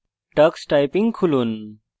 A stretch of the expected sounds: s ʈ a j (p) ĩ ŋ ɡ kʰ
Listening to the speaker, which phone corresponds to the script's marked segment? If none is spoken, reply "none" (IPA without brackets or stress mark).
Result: p